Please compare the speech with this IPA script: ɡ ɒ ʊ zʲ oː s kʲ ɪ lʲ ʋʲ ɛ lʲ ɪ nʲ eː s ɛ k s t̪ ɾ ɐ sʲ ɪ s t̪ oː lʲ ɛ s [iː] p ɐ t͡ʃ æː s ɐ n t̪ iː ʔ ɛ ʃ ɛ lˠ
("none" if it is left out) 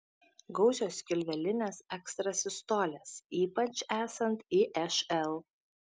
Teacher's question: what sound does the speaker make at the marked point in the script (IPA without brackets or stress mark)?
iː